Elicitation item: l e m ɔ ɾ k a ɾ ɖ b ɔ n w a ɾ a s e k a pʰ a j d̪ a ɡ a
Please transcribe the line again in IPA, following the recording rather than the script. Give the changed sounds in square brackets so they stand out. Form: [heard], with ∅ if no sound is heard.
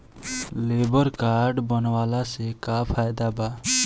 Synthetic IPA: l e [b] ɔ ɾ k a ɾ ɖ b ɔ n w a [l] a s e k a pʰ a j d̪ a [b] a